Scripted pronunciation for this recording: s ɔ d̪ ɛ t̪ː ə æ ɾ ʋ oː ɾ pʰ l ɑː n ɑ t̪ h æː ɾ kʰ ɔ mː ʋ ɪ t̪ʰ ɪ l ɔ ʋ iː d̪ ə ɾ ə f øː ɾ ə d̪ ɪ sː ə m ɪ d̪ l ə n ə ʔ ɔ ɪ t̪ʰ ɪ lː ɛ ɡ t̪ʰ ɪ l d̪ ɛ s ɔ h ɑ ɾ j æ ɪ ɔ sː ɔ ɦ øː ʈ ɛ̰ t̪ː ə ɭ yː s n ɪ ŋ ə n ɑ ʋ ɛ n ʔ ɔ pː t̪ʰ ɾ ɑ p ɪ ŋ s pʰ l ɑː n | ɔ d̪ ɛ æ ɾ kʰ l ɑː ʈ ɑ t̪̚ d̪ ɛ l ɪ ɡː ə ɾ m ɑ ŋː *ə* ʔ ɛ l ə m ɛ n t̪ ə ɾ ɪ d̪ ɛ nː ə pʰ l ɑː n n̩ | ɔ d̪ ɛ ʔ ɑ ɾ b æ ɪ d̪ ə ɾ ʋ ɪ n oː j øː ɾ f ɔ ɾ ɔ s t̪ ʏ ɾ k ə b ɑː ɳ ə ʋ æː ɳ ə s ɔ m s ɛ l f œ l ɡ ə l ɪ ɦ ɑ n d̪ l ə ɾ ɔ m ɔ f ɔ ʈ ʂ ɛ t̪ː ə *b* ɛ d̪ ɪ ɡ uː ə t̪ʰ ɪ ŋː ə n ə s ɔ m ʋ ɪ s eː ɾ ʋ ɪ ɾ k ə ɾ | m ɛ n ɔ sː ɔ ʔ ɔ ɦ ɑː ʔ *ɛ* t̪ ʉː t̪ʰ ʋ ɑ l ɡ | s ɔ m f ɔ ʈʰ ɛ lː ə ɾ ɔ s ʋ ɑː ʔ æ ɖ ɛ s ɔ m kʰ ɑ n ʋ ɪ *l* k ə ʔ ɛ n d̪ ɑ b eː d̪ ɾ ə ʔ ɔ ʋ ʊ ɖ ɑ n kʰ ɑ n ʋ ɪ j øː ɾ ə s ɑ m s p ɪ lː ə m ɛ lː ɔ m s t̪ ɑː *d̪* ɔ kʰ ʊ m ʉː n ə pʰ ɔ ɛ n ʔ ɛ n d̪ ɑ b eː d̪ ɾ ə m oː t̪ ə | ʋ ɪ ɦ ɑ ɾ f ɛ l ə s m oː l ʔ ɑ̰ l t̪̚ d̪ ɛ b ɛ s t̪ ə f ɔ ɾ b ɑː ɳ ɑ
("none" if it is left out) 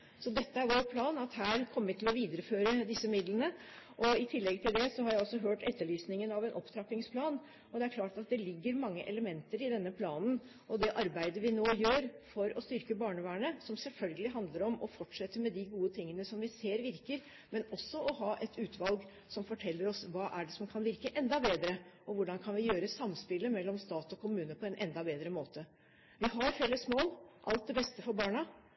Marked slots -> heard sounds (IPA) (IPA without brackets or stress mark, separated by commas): ə, m, ɛ, ɾ, t̪